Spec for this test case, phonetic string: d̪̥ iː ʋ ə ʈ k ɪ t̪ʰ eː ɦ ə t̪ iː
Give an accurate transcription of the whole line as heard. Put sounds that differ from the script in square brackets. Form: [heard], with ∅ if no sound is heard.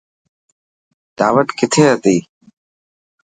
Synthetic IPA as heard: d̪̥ [aː] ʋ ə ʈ k ɪ t̪ʰ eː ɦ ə t̪ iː